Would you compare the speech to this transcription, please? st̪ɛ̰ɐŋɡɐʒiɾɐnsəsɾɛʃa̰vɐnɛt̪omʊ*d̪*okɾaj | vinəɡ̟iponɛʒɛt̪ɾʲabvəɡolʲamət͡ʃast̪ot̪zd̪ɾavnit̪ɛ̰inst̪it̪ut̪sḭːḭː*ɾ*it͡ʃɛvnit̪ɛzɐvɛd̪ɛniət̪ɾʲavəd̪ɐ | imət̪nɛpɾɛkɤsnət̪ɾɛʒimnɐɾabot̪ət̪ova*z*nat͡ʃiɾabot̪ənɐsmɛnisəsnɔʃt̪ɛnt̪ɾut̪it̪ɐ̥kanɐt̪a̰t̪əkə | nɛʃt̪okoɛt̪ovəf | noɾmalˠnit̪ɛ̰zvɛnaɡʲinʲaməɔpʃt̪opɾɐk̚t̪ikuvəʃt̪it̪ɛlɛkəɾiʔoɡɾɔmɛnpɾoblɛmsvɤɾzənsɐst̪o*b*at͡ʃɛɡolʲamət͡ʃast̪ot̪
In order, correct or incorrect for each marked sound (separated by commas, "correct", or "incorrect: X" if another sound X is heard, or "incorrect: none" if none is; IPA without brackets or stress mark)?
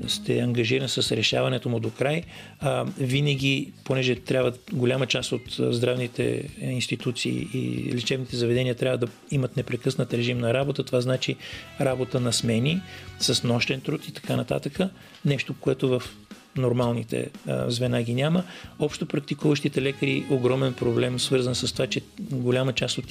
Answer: correct, incorrect: l, correct, incorrect: v